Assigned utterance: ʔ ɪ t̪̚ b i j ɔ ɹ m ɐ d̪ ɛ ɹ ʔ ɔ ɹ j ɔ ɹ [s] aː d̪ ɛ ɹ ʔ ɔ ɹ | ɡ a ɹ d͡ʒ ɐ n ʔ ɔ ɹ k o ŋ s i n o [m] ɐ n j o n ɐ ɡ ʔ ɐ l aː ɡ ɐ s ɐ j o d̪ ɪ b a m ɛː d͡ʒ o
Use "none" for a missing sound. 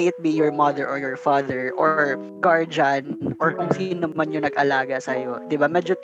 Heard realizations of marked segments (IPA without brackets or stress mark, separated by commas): f, m